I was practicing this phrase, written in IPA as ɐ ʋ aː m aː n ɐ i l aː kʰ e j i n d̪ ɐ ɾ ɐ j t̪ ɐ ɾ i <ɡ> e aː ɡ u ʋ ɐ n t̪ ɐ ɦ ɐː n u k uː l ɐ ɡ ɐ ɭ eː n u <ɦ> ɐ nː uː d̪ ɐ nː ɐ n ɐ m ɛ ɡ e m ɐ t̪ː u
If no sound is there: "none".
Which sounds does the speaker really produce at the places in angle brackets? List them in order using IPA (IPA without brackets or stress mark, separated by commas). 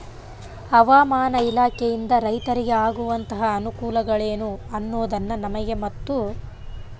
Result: ɡ, none